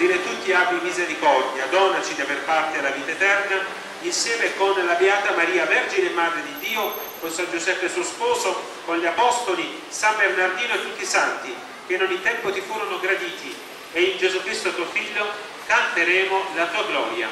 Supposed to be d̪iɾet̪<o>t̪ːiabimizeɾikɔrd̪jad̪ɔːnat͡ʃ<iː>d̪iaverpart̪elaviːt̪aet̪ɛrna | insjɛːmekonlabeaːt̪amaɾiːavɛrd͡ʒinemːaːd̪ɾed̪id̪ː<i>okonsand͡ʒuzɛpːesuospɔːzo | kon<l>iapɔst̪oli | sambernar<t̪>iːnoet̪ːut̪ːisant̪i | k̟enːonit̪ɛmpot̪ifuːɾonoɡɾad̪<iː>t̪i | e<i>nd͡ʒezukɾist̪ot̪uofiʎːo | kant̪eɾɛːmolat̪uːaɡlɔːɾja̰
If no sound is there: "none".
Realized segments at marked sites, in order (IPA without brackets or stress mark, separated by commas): u, i, iː, ʎ, d̪, iː, i